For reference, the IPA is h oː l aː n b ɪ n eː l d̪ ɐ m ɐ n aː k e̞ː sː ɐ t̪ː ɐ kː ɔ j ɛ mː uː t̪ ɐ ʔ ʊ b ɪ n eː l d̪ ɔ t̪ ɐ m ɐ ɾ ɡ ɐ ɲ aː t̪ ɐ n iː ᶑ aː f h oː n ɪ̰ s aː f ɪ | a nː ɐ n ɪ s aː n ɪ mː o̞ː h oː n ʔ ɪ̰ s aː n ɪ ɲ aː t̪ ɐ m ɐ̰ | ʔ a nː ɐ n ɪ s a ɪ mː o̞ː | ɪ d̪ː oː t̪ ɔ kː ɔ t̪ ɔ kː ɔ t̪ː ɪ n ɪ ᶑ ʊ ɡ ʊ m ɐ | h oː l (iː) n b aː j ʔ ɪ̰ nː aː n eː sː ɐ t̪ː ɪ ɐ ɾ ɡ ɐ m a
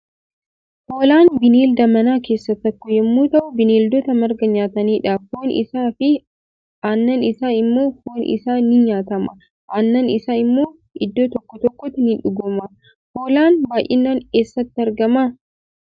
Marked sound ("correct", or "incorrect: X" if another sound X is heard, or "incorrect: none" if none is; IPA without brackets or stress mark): incorrect: aː